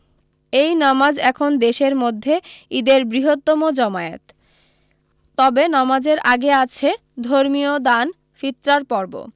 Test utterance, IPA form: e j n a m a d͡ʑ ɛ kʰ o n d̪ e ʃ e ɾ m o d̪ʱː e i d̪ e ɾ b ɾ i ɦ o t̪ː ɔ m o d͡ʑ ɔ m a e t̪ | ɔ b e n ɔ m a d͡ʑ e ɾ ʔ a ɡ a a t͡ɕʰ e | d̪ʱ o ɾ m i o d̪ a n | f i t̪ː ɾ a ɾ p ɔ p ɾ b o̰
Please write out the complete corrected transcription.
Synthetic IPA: e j n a m a d͡ʑ ɛ kʰ o n d̪ e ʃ e ɾ m o d̪ʱː e i d̪ e ɾ b ɾ i ɦ o t̪ː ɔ m o d͡ʑ ɔ m a e t̪ | ɔ b e n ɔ m a d͡ʑ e ɾ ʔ a ɡ e a t͡ɕʰ e | d̪ʱ o ɾ m i o d̪ a n | f i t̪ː ɾ a ɾ p ɔ ɾ b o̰